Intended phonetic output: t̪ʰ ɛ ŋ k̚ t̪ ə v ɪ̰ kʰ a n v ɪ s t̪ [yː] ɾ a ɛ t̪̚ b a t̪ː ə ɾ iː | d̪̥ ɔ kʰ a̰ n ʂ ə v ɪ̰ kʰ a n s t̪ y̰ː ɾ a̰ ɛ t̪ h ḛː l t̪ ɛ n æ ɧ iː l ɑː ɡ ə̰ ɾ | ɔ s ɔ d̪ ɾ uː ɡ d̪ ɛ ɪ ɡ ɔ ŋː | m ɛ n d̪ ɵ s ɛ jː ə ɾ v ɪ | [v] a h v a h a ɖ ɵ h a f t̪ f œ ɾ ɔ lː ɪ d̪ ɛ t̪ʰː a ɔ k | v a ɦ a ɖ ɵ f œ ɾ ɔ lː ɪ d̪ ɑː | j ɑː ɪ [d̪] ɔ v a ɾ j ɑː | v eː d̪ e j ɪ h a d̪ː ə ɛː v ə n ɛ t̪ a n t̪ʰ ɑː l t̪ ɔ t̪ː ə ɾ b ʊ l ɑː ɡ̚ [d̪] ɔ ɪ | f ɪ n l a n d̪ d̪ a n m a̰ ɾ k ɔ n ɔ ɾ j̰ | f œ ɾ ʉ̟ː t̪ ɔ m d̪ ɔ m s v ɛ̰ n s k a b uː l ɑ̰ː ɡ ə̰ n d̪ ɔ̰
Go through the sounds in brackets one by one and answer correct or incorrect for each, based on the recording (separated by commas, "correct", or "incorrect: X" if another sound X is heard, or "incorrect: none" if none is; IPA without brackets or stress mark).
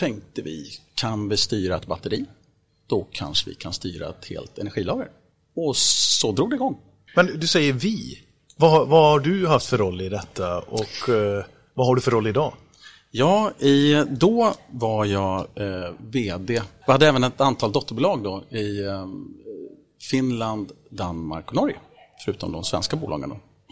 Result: correct, correct, correct, correct